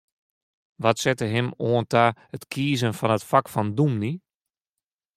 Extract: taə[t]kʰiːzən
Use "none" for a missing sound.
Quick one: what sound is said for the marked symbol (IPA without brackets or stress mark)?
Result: t